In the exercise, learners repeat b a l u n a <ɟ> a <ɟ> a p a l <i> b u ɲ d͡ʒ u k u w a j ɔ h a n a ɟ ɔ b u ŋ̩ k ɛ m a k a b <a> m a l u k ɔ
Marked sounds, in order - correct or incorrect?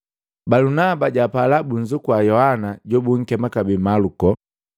incorrect: b, correct, incorrect: a, incorrect: i

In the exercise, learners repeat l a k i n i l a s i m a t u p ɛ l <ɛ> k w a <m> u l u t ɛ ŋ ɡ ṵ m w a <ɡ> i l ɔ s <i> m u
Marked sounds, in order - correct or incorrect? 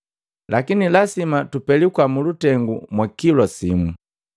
incorrect: i, correct, incorrect: k, correct

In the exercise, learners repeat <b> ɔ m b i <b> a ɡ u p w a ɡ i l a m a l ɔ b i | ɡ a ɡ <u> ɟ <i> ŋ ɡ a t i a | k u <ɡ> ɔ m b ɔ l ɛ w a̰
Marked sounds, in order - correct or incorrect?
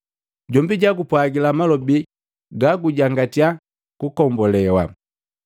incorrect: ɟ, incorrect: ɟ, correct, incorrect: a, incorrect: k

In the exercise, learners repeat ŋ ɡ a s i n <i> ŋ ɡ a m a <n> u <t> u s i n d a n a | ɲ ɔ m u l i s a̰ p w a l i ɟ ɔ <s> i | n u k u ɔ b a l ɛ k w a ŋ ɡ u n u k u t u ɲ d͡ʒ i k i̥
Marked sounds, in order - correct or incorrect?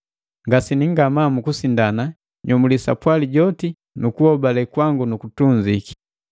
correct, incorrect: m, incorrect: k, incorrect: t

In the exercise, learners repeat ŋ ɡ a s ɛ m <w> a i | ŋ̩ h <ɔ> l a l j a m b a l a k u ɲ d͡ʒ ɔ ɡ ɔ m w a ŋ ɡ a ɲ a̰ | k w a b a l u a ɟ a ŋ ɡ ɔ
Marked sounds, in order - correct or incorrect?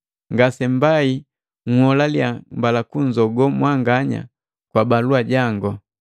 incorrect: b, correct

